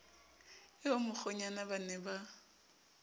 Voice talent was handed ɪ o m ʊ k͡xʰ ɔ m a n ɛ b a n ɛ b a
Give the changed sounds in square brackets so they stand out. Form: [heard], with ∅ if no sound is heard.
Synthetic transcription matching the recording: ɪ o m ʊ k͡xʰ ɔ [ɲ] a n [a] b a n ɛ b a